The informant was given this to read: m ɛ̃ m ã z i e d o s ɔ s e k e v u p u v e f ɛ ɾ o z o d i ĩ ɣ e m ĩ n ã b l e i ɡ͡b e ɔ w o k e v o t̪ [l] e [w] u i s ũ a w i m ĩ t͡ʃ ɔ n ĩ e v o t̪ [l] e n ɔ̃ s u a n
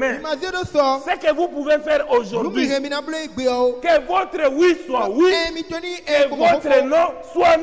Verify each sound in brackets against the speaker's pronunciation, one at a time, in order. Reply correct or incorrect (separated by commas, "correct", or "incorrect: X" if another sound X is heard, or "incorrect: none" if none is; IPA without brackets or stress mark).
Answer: incorrect: ɾ, correct, incorrect: ɾ